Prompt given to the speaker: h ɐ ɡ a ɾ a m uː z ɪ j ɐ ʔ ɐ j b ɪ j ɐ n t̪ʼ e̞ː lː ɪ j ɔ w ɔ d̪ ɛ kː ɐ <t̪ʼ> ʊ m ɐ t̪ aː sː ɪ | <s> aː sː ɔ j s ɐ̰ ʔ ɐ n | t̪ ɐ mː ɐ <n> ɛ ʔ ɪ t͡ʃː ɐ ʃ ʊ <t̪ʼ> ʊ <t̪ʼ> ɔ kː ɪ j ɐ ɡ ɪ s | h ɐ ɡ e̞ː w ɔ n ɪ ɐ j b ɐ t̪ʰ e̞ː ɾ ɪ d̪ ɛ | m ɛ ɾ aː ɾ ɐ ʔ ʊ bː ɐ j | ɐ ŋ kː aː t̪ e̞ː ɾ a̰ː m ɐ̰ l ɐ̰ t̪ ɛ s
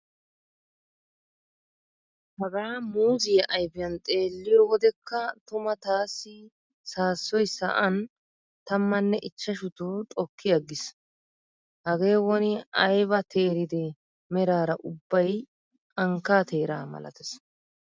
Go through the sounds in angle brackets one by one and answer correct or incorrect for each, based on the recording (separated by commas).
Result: incorrect, correct, incorrect, incorrect, correct